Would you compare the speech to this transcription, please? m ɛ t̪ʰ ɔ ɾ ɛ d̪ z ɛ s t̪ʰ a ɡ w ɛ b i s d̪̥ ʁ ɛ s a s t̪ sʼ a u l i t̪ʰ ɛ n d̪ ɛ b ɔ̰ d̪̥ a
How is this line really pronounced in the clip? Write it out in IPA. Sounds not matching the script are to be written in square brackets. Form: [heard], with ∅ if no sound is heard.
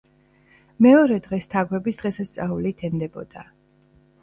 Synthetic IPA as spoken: m ɛ [∅] ɔ ɾ ɛ d̪ [ʁ] ɛ s t̪ʰ a ɡ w ɛ b i s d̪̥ ʁ ɛ s a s t̪ sʼ a u l i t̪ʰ ɛ n d̪ ɛ b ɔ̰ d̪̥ a